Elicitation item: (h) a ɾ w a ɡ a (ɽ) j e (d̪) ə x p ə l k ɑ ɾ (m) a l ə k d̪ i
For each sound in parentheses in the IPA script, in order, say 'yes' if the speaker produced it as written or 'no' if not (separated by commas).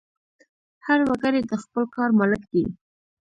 yes, no, yes, yes